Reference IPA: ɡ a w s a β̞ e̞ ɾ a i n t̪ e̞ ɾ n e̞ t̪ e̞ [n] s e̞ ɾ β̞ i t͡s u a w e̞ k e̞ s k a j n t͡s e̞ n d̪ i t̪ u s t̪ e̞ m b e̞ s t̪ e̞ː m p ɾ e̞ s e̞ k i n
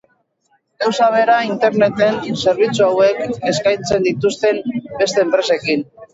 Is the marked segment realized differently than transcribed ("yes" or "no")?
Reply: no